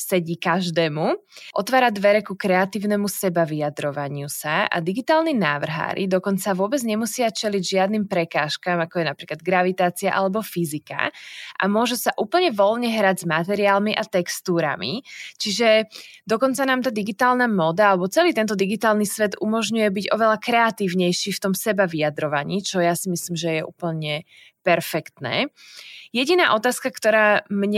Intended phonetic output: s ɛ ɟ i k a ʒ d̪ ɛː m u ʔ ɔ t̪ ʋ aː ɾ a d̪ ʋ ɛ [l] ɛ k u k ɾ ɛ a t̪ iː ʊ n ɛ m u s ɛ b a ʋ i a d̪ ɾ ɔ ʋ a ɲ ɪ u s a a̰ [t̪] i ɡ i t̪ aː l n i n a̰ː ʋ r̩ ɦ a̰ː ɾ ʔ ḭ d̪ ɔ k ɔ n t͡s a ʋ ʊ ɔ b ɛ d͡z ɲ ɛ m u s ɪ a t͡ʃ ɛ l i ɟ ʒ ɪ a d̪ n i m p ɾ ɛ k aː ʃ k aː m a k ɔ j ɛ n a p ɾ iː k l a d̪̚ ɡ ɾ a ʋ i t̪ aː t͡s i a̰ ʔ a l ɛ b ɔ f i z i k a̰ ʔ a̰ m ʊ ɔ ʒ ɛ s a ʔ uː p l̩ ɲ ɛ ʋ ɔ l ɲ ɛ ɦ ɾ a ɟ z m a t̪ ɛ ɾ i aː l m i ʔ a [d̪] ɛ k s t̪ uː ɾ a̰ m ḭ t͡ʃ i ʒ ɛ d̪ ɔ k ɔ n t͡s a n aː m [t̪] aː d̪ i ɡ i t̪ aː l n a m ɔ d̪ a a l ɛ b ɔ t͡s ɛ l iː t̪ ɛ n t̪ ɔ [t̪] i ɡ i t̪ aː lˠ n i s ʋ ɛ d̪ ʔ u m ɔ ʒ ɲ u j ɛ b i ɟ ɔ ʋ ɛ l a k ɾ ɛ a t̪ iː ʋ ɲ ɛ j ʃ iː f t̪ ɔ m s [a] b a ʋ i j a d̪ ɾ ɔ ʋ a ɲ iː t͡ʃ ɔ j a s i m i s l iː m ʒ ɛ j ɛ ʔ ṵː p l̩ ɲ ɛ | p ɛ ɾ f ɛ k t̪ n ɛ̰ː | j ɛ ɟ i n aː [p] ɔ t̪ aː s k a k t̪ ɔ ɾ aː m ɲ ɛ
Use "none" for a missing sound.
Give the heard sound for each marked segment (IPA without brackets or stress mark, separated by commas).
ɾ, d̪, t̪, t̪, d̪, ɛ, ʔ